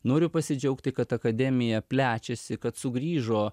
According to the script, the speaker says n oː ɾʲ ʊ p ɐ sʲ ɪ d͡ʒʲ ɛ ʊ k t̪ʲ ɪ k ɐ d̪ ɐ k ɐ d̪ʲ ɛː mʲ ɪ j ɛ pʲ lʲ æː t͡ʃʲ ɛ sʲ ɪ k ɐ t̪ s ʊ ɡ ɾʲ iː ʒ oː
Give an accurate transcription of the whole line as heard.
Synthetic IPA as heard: n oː ɾʲ ʊ p ɐ sʲ ɪ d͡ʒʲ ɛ ʊ k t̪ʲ ɪ k ɐ t̪ ɐ k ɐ d̪ʲ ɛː mʲ ɪ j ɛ pʲ lʲ æː t͡ʃʲ ɛ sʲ ɪ k ɐ t̪ s ʊ ɡ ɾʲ iː ʒ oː